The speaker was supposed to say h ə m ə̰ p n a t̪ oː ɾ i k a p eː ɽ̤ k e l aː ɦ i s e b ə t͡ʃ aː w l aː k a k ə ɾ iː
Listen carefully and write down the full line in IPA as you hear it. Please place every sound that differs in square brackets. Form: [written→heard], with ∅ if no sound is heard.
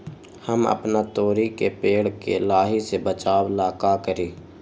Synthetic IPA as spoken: h ə m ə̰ p n a t̪ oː ɾ i k [a→e] p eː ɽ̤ k e l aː ɦ i s e b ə t͡ʃ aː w l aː k a k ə ɾ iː